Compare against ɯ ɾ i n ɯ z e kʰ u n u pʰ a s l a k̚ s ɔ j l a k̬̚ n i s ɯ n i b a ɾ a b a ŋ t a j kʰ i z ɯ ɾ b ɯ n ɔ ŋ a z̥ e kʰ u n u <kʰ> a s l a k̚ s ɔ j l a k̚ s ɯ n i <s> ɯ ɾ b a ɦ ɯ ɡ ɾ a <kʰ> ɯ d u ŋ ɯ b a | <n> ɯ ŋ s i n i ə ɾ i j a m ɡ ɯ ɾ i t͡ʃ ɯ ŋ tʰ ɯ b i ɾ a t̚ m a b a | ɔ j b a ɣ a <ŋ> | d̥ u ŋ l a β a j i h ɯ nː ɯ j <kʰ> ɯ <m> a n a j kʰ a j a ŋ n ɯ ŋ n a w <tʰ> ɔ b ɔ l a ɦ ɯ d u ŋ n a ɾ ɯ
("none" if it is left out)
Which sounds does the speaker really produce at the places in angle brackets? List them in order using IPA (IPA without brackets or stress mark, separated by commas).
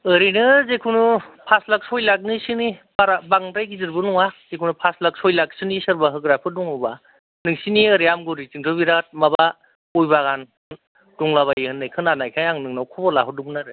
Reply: pʰ, s, pʰ, n, n, kʰ, n, kʰ